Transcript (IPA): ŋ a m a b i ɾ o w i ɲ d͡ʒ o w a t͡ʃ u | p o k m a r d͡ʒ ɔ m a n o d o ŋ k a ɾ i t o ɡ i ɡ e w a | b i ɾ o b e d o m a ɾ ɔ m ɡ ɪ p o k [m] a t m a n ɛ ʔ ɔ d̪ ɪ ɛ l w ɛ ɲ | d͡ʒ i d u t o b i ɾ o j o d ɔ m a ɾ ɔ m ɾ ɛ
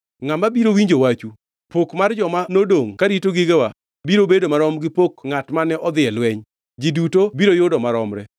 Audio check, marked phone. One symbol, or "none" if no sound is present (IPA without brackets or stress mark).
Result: ŋ